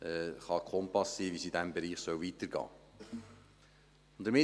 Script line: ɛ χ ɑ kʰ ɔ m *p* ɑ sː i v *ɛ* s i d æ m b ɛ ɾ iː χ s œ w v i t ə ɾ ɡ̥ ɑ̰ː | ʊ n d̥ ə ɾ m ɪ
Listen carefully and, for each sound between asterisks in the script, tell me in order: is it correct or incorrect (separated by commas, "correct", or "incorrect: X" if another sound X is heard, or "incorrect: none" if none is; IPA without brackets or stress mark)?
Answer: correct, incorrect: i